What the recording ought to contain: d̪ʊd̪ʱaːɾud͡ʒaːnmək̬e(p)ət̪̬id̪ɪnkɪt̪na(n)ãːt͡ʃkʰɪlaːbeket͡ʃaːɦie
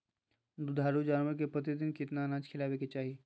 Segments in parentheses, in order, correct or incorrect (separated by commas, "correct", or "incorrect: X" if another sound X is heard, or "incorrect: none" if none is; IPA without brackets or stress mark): correct, correct